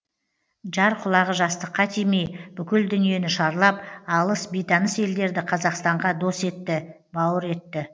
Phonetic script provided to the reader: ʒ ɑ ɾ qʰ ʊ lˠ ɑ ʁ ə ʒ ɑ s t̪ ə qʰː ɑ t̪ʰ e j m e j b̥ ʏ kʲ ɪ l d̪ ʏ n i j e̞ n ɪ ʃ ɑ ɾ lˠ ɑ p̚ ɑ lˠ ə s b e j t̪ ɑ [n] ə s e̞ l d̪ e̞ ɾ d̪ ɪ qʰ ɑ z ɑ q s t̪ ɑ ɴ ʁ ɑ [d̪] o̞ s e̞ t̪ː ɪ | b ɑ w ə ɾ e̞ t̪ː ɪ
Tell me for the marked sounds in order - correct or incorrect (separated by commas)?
correct, correct